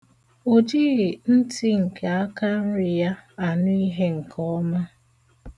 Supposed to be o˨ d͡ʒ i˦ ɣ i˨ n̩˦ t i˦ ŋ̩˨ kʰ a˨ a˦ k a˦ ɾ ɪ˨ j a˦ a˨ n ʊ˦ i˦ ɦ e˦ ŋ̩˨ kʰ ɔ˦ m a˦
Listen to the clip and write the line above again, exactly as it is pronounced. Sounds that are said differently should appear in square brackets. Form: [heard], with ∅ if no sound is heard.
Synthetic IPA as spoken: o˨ d͡ʒ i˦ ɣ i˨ n̩˦ t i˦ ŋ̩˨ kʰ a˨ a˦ k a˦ ɾ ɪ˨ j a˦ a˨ n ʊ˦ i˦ ɦ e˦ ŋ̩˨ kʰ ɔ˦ m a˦